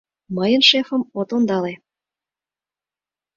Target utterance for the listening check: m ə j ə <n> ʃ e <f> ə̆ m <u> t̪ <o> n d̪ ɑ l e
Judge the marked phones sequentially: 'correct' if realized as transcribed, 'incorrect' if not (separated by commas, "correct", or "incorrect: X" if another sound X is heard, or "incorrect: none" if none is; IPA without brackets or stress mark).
correct, correct, incorrect: o, correct